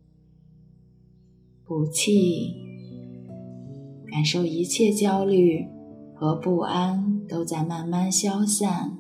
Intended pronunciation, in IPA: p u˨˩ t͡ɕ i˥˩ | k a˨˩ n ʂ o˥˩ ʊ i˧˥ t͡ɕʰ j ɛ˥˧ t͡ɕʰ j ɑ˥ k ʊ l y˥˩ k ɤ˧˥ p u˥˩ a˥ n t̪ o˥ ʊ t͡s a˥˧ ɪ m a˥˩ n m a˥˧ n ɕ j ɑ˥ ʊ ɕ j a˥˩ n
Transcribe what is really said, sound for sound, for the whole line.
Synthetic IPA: p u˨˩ t͡ɕʰ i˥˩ | k a˨˩ n ʂ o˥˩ ʊ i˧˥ t͡ɕʰ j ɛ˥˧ t͡ɕ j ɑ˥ ʊ l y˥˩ x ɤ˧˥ p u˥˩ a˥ n t̪ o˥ ʊ t͡s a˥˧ ɪ m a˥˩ n m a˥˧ n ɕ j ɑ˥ ʊ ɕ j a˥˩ n